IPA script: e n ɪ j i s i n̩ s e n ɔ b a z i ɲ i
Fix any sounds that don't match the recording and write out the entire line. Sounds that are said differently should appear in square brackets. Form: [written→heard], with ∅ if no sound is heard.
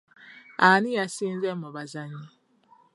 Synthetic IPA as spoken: [e→a] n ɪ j [i→a] s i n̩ [s→z] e [n→m] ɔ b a z [i→a] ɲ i